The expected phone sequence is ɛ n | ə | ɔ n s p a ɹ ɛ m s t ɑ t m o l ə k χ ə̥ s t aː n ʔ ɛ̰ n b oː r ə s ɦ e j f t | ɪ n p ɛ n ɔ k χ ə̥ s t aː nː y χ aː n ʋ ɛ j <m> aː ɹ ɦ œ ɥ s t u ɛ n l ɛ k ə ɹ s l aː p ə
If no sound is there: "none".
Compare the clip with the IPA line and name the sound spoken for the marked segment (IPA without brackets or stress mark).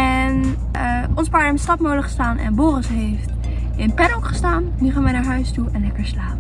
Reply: n